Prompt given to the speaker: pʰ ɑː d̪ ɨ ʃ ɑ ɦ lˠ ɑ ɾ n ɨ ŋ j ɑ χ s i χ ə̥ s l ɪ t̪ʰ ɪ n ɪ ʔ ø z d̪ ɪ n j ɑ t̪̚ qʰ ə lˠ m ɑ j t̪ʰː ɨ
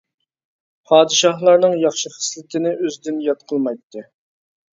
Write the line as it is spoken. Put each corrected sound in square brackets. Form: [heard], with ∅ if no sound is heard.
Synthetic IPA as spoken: pʰ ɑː d̪ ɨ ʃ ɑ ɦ lˠ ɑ ɾ n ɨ ŋ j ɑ χ [ʃ] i χ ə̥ s l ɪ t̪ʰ ɪ n ɪ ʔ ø z d̪ ɪ n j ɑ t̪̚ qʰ ə lˠ m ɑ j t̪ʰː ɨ